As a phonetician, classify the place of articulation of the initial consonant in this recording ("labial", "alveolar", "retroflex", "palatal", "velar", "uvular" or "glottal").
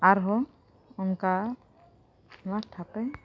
alveolar